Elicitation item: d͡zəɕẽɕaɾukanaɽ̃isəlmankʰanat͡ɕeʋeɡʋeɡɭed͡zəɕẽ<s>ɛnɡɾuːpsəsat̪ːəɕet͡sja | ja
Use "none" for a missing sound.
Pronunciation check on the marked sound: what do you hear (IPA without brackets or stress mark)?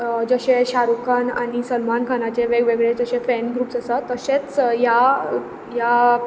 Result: f